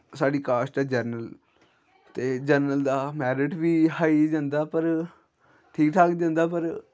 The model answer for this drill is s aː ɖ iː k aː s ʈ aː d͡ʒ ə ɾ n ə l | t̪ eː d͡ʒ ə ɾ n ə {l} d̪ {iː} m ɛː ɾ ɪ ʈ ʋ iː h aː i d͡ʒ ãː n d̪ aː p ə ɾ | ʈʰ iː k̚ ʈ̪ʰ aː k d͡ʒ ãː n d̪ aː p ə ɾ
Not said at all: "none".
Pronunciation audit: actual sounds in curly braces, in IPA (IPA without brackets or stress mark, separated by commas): l, aː